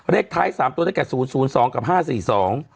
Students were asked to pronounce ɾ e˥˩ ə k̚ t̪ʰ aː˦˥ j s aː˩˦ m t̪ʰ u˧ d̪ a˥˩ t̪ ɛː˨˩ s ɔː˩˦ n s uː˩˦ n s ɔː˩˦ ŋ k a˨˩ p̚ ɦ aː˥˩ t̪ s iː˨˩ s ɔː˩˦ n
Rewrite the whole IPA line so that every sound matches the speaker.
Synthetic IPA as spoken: ɾ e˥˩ ə k̚ t̪ʰ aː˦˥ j s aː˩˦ m t̪ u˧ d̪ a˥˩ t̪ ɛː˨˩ s uː˩˦ n s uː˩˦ n s ɔː˩˦ ŋ k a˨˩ p̚ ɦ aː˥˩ s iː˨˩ s ɔː˩˦ ŋ